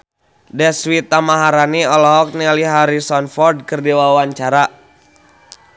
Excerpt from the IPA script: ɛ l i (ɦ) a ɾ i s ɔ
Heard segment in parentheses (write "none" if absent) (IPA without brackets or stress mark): ɦ